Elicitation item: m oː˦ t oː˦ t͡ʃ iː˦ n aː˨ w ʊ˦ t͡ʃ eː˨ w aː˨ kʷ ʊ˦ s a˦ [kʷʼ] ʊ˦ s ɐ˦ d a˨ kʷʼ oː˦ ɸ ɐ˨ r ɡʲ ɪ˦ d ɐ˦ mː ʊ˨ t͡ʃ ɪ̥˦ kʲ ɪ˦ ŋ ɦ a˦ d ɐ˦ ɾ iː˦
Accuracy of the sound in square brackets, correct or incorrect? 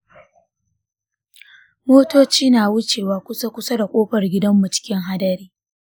incorrect: kʷ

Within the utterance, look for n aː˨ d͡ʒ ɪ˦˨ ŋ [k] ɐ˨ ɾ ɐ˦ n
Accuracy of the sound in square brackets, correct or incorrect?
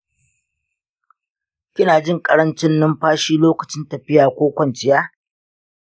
incorrect: kʼ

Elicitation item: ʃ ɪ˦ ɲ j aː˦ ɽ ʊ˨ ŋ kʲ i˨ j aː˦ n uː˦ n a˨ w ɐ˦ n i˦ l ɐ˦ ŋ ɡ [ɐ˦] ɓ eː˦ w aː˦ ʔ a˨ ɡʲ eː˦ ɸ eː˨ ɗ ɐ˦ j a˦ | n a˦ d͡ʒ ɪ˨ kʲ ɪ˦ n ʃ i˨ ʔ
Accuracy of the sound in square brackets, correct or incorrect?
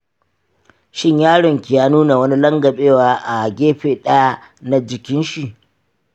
incorrect: ɐ˨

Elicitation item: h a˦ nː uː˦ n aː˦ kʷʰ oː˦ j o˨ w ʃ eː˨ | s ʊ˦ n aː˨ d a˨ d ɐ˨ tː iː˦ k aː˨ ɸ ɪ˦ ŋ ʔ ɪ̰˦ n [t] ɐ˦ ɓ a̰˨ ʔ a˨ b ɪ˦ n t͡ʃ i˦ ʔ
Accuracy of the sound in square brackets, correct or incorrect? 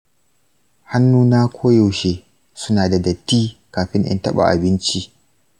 correct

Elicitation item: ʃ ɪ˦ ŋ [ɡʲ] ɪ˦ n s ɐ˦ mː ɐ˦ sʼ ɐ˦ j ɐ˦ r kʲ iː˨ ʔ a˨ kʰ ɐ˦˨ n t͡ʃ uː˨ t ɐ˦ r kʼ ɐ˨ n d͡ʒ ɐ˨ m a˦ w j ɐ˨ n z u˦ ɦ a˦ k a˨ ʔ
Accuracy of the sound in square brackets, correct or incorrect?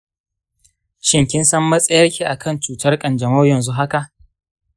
incorrect: kʲ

